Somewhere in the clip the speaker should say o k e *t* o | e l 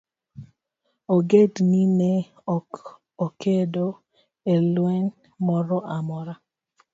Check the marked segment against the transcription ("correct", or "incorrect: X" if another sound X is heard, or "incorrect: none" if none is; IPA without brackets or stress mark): incorrect: d